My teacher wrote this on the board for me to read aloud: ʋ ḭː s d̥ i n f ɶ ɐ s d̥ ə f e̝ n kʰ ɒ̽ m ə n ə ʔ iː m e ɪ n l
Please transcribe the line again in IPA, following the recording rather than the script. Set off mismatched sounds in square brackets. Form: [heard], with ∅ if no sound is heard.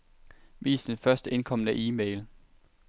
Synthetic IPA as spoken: ʋ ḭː s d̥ [e] n f ɶ ɐ s d̥ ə [∅] e̝ n kʰ ɒ̽ m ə n ə ʔ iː m e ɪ [∅] l